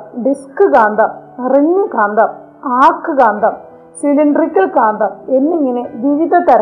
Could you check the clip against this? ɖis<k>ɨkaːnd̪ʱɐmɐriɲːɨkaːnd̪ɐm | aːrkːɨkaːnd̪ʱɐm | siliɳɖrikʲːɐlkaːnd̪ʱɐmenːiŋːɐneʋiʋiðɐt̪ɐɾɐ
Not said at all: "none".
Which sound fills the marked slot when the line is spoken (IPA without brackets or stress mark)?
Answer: k